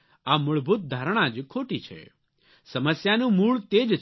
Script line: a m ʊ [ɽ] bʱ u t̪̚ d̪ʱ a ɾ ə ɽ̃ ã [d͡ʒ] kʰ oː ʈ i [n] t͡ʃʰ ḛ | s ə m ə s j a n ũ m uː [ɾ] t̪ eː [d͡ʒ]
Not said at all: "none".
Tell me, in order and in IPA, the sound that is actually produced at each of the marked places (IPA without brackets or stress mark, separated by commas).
ɭ, d͡ʒ, none, ɭ, d͡ʒ